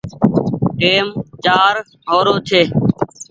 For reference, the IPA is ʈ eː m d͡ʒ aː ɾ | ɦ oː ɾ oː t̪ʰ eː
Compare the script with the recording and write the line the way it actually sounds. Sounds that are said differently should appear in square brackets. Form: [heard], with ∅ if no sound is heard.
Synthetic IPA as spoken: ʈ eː m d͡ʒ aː ɾ | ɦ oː ɾ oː t̪ʰ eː